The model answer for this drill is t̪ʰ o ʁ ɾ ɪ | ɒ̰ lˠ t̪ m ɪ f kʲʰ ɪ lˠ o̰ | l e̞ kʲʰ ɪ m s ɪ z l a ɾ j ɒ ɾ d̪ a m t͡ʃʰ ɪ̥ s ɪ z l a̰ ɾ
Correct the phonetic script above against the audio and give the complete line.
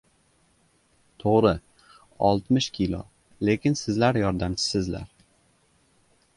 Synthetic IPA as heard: t̪ʰ o ʁ ɾ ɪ | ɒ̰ lˠ t̪ m ɪ ʃ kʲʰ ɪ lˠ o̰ | l e̞ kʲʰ ɪ n s ɪ z l a ɾ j ɒ ɾ d̪ a m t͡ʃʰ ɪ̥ s ɪ z l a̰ ɾ

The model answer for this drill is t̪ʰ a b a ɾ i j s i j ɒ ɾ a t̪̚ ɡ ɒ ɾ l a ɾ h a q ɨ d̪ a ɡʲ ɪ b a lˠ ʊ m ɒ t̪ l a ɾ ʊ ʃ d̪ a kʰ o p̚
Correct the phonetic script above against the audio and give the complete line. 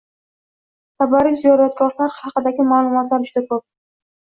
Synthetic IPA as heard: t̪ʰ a b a ɾ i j z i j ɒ ɾ a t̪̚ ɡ ɒ ɾ l a ɾ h ɑ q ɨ d̪ a ɡʲ ɪ m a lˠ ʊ m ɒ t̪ l a ɾ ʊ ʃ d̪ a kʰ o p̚

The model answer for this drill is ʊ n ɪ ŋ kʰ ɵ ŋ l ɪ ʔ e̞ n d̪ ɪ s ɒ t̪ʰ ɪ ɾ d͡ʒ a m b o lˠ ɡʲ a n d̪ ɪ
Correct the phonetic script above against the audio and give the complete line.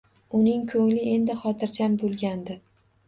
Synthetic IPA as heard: ʊ n ɪ ŋ kʰ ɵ ŋ l ɪ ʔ e̞ n d̪ ɪ χ ɒ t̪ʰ ɪ ɾ d͡ʒ a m b o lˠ ɡʲ a n d̪ ɪ

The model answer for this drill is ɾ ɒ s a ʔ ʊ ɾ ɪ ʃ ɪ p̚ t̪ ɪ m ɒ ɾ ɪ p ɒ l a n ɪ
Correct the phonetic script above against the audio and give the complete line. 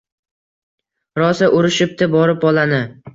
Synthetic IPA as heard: ɾ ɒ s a ʔ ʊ ɾ ɪ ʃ ɪ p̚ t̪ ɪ b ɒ ɾ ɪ p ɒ l a n ɪ

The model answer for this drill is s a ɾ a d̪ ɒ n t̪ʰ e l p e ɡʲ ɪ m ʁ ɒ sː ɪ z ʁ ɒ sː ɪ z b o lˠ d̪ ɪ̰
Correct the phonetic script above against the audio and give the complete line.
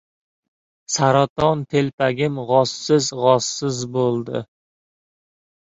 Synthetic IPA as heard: s a ɾ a t̪ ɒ n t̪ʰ e l p a ɡʲ ɪ m ʁ ɒ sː ɪ z ʁ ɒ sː ɪ z b o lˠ d̪ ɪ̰

